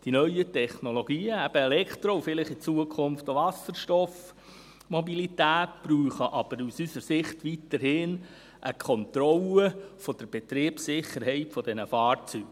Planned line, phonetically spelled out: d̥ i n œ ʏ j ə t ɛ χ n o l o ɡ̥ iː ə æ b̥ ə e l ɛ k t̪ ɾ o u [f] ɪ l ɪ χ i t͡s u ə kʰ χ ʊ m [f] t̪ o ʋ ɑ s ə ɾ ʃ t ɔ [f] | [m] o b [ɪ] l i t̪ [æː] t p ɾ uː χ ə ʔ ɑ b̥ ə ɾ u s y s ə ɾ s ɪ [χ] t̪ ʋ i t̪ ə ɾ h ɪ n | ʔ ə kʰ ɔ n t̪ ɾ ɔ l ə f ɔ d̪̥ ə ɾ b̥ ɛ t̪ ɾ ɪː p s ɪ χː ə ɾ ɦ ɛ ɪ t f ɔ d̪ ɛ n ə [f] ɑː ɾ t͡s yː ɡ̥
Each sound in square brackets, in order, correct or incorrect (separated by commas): correct, correct, correct, correct, incorrect, correct, correct, correct